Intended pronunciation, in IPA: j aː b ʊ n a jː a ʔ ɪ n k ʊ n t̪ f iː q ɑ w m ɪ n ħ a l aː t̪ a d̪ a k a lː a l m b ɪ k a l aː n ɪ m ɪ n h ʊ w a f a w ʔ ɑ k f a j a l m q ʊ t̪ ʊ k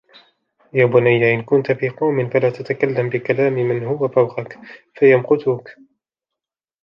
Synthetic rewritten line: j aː b ʊ n a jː a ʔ ɪ n k ʊ n t̪ f iː q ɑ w m ɪ n f a l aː t̪ a t̪ a k a lː a m b ɪ k a l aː m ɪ m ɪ n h ʊ w a f a w q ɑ k f a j a m q ʊ t̪ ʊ k

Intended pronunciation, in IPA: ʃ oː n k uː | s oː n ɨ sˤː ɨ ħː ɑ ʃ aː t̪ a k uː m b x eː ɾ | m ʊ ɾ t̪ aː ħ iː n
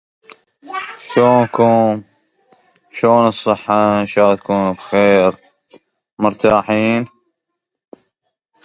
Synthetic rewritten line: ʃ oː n k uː | ʃ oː n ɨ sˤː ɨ ħː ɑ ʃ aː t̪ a k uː n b x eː ɾ | m ʊ ɾ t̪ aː ħ iː n

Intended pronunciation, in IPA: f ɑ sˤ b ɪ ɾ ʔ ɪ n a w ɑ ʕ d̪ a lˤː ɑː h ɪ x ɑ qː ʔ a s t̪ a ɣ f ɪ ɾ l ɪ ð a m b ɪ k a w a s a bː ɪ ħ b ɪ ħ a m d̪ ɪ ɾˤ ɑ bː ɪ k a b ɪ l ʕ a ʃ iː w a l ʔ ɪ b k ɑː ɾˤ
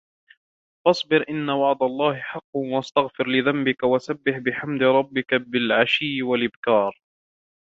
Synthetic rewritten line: f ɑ sˤ b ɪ ɾ ʔ ɪ nː a w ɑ ʕ d̪ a lˤː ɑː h ɪ ħ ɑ qː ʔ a s t̪ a ɣ f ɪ ɾ l ɪ ð a m b ɪ k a w a s a bː ɪ ħ b ɪ ħ a m d̪ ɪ ɾˤ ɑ bː ɪ k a b ɪ l ʕ a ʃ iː w a l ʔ ɪ b k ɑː ɾˤ

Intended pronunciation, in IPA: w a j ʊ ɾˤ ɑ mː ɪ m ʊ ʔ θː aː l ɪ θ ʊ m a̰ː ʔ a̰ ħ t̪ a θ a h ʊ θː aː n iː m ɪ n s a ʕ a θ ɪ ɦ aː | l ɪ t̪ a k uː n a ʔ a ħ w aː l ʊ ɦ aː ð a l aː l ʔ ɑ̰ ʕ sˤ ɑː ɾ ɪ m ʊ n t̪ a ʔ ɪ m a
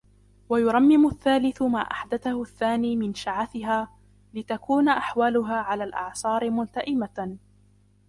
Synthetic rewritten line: w a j ʊ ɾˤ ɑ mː ɪ m ʊ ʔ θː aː l ɪ θ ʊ m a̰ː ʔ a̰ ħ d̪ a θ a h ʊ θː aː n iː m ɪ n ʃ a ʕ a θ ɪ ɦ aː | l ɪ t̪ a k uː n a ʔ a ħ w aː l ʊ ɦ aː ʕ a l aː l ʔ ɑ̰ ʕ sˤ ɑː ɾ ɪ m ʊ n t̪ a ʔ ɪ m a

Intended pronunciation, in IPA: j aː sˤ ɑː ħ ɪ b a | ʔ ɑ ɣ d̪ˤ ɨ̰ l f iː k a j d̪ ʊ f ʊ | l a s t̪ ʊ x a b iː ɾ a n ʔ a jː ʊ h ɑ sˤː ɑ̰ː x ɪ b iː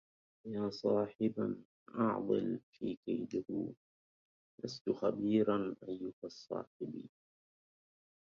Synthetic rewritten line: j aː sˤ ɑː ħ ɪ b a | ʔ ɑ ʕ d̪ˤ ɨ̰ l f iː k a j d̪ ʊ h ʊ | l a s t̪ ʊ x a b iː ɾ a n ʔ a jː ʊ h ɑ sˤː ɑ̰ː ħ ɪ b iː

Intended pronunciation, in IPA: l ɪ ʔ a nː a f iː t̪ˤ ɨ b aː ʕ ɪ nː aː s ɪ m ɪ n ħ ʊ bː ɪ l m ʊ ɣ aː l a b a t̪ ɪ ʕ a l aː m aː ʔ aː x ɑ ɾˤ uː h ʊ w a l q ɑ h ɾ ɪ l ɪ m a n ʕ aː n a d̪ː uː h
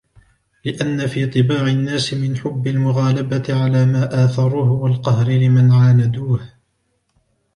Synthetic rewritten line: l ɪ ʔ a nː a f iː t̪ˤ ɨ b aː ʕ ɪ nː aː s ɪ m ɪ n ħ ʊ bː ɪ l m ʊ ɣ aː l a b a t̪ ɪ ʕ a l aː m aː ʔ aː θ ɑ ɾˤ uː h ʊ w a l q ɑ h ɾ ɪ l ɪ m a n ʕ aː n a d̪ uː h

